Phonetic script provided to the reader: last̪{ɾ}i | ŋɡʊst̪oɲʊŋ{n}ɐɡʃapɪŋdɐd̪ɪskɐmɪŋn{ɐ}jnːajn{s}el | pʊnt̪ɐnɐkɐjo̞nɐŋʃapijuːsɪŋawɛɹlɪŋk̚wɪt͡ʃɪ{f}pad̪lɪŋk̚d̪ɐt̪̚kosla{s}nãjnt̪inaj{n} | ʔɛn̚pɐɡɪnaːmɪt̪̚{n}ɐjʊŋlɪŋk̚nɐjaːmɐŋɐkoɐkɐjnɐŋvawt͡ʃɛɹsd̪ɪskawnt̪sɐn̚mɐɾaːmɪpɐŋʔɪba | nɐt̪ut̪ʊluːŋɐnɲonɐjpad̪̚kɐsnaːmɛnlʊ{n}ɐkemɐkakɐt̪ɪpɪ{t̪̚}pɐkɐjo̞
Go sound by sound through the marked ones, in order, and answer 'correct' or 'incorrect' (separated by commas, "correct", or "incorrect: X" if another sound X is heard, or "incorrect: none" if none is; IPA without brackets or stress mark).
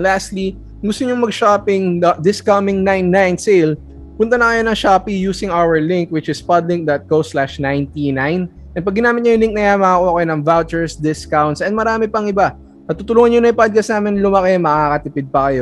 incorrect: l, incorrect: m, incorrect: a, correct, incorrect: s, incorrect: ʃ, correct, incorrect: ɲ, incorrect: m, incorrect: d̪̚